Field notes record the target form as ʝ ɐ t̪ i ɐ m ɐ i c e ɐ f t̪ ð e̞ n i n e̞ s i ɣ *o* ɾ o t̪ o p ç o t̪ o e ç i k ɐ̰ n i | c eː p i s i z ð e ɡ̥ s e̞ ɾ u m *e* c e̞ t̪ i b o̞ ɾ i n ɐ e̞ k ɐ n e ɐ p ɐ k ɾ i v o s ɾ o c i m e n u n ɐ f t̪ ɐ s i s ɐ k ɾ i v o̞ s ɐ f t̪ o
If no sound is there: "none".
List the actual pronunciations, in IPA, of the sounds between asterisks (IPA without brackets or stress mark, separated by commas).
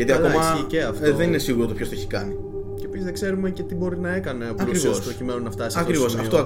u, e